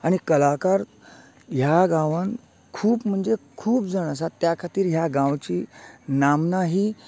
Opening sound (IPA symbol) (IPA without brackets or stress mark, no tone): a